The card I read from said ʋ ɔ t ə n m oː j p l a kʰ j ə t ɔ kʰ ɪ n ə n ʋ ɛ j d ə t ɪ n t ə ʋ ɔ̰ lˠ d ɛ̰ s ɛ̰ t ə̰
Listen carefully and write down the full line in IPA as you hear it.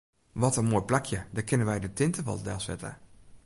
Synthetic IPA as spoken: ʋ ɔ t ə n m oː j p l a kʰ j ə d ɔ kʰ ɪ n ə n ʋ ɛ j d ə t ɪ n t ə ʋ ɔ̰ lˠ d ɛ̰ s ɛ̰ t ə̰